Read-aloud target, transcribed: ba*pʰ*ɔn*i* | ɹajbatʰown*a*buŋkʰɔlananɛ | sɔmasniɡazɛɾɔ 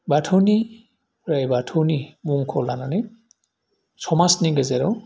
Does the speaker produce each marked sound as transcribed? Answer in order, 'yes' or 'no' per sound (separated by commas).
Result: no, yes, no